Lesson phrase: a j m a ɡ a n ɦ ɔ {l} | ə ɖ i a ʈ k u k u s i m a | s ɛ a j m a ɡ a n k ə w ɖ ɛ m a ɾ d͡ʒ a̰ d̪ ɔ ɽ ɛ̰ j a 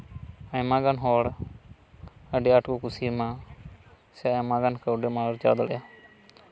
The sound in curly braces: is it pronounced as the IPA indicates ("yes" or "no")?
no